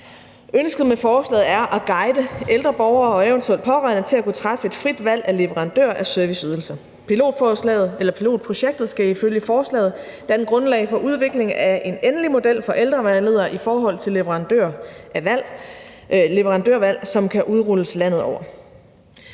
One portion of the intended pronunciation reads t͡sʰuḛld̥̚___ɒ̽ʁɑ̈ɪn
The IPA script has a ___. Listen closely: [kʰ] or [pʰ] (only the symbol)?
pʰ